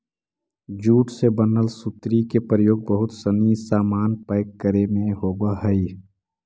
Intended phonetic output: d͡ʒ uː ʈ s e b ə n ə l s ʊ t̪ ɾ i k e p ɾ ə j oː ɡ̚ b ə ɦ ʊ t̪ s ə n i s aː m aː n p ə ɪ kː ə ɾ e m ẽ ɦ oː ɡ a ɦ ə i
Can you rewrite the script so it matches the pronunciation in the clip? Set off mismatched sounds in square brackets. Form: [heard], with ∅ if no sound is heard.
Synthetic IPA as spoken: d͡ʒ uː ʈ s e b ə n ə l s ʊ t̪ ɾ i k e p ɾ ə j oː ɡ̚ b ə ɦ ʊ t̪ s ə n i s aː m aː n p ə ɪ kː ə ɾ e m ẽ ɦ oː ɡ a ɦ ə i